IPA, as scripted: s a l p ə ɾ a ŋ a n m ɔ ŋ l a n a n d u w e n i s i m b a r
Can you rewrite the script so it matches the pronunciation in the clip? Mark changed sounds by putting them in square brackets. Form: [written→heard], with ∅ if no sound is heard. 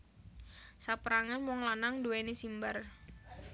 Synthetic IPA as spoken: s a [l→∅] p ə ɾ a ŋ a n m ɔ ŋ l a n a [n→ŋ] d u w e n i s i m b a r